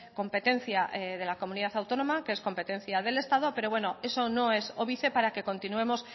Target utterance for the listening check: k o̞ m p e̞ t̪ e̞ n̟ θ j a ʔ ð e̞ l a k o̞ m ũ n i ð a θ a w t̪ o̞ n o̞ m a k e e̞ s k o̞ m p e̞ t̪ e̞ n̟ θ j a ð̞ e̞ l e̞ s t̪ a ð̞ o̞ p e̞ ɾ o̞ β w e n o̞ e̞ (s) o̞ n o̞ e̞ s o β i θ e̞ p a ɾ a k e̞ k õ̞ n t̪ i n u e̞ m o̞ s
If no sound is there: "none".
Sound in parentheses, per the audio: s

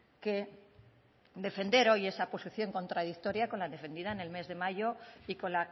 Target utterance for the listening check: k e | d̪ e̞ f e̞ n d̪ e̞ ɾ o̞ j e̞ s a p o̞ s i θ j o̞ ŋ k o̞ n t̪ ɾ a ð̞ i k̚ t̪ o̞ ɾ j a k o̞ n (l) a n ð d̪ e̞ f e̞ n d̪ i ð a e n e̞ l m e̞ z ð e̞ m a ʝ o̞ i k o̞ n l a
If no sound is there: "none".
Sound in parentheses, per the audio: l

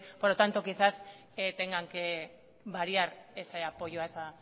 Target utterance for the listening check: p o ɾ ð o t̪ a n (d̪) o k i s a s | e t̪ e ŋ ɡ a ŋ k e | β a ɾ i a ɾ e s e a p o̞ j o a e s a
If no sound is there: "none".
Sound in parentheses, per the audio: t̪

